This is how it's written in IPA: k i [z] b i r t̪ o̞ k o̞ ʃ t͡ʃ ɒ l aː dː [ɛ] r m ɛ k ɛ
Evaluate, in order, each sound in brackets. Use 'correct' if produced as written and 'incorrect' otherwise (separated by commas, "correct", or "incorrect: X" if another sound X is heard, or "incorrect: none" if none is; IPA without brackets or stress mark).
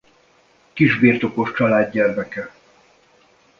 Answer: incorrect: ʒ, correct